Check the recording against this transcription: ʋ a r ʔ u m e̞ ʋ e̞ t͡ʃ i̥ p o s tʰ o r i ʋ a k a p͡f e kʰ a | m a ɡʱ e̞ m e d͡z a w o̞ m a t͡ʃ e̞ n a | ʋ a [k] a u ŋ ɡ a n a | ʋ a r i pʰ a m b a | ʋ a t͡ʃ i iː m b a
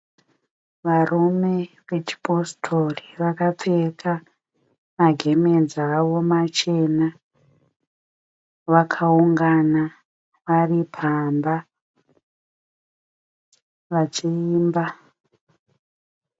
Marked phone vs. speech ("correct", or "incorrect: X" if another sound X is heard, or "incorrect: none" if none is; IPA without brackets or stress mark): incorrect: kʰ